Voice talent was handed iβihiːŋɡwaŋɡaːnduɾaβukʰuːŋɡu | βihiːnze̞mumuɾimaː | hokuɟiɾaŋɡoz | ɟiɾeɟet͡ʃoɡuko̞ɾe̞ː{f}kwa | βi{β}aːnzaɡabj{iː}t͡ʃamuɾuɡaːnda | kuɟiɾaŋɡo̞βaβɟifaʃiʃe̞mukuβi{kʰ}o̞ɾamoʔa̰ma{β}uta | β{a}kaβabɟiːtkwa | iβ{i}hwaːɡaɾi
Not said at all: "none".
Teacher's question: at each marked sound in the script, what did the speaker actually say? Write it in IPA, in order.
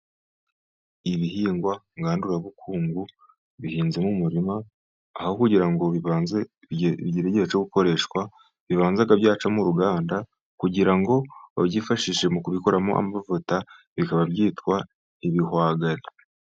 ʃ, β, aː, k, v, i, i

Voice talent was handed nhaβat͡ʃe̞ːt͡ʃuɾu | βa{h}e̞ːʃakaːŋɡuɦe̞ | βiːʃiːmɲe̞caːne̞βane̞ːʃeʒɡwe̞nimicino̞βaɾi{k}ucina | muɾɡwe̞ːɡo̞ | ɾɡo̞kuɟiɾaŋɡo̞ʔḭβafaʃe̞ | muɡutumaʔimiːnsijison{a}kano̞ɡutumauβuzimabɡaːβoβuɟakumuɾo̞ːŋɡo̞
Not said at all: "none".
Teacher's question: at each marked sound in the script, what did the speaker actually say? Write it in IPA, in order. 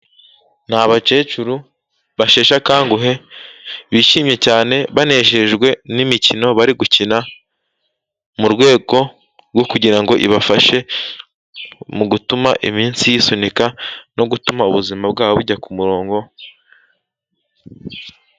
ʃ, ɡ, i

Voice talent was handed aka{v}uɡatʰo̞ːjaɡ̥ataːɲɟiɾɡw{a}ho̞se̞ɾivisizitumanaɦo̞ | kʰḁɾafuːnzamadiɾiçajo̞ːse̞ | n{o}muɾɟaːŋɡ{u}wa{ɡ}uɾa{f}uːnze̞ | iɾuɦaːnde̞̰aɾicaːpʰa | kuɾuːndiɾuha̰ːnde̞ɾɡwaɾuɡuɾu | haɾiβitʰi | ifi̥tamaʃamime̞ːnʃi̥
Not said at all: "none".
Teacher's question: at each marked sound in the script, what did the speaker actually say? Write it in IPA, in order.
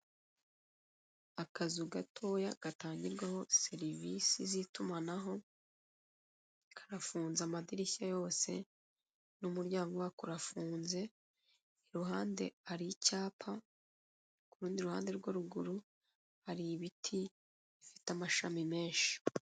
z, a, u, o, k, f

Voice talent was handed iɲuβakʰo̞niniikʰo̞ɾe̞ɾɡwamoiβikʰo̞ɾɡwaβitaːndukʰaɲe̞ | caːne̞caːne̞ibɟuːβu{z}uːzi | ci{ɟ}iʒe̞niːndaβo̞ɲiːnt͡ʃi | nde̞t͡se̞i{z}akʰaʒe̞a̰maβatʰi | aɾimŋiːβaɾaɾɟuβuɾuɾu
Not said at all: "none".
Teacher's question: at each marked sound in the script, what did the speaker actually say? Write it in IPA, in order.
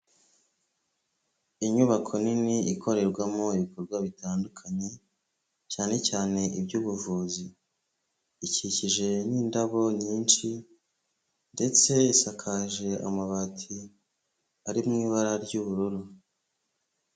v, c, s

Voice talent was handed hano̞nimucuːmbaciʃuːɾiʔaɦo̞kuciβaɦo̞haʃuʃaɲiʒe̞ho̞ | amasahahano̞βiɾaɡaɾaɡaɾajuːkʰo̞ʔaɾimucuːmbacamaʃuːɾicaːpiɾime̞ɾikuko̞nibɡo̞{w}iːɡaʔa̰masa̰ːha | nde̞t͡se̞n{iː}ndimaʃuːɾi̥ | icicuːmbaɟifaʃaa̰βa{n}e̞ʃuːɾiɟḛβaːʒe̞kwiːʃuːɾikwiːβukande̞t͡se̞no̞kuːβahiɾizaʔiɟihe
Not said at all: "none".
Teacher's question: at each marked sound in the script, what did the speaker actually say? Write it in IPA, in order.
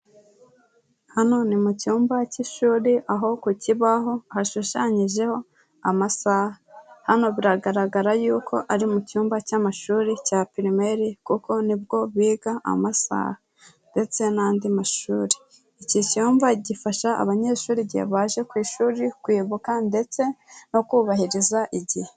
β, aː, ɲ

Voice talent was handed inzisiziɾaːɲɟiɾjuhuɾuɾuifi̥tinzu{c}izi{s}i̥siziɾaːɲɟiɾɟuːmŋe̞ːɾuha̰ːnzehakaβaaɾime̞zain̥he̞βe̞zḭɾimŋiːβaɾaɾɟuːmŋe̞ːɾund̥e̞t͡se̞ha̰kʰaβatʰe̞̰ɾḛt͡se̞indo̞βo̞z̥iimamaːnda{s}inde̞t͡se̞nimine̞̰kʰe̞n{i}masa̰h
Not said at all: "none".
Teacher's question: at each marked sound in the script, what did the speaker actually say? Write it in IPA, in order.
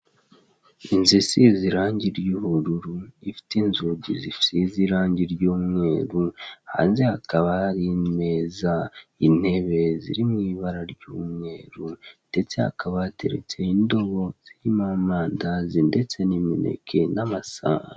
ɟ, f, z, a

